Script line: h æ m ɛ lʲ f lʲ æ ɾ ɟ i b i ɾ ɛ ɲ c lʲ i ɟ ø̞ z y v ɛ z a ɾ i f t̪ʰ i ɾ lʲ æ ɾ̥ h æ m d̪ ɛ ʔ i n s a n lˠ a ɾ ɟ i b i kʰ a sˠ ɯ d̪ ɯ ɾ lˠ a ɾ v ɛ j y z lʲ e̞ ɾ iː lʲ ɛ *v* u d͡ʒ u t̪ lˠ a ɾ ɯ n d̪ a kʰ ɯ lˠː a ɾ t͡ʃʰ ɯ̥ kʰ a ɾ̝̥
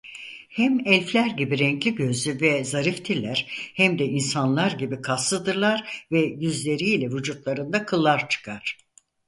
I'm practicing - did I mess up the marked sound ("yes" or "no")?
no